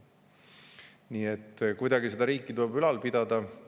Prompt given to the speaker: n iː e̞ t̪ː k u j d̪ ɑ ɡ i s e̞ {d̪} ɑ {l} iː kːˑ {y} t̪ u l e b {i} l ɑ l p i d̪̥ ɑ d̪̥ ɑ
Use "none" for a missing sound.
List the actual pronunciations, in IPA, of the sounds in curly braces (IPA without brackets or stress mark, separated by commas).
d̪, ɾ, i, y